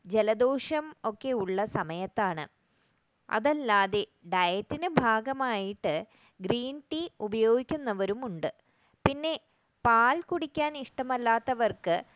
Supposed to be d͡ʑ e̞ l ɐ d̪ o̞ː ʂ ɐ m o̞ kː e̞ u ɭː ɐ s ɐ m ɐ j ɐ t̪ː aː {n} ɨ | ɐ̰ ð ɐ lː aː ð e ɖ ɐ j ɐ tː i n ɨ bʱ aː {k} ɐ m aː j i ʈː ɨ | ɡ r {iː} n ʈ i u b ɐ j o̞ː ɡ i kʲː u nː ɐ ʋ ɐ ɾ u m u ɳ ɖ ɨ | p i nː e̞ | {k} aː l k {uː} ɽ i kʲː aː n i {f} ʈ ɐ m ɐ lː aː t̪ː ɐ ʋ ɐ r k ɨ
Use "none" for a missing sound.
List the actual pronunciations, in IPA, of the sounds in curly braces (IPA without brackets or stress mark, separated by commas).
ɳ, ɡ, iː, p, u, ʂ